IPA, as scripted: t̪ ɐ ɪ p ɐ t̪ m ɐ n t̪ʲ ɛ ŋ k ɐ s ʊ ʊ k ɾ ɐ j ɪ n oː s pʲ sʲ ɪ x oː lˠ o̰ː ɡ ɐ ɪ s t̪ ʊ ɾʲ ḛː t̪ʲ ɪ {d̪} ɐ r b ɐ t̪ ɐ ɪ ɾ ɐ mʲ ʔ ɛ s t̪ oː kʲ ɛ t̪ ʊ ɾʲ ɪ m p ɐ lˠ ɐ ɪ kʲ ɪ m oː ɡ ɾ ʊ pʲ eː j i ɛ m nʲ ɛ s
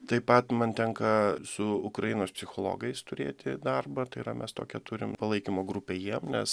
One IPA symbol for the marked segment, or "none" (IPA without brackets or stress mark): d̪